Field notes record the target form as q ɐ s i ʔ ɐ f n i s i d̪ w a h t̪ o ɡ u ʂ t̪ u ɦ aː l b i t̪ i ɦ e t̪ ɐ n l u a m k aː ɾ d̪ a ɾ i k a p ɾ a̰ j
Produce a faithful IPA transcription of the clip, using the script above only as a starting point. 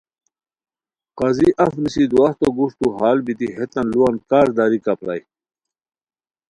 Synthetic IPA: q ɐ z i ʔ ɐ f n i s i d̪ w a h t̪ o ɡ u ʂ t̪ u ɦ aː l b i t̪ i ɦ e t̪ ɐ n l u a n k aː ɾ d̪ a ɾ i k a p ɾ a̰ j